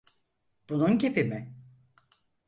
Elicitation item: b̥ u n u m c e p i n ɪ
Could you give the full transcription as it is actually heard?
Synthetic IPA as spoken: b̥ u n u n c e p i m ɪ